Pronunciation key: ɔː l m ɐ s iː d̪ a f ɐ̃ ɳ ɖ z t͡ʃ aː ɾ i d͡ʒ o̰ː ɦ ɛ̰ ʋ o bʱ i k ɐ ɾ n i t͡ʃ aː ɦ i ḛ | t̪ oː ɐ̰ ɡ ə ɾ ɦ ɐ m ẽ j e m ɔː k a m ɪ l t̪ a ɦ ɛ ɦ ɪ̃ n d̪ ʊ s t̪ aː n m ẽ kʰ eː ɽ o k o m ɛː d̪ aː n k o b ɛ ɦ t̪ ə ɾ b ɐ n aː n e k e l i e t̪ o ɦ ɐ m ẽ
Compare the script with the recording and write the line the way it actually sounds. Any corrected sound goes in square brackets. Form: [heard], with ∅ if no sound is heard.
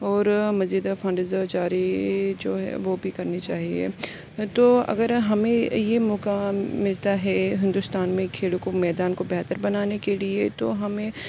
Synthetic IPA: ɔː [ɾ] m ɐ [z] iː d̪ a f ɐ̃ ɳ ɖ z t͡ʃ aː ɾ i d͡ʒ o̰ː ɦ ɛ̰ ʋ o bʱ i k ɐ ɾ n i t͡ʃ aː ɦ i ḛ | t̪ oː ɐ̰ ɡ ə ɾ ɦ ɐ m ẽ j e m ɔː k a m ɪ l t̪ a ɦ ɛ ɦ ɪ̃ n d̪ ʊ s t̪ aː n m ẽ kʰ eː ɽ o k o m ɛː d̪ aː n k o b ɛ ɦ t̪ ə ɾ b ɐ n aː n e k e l i e t̪ o ɦ ɐ m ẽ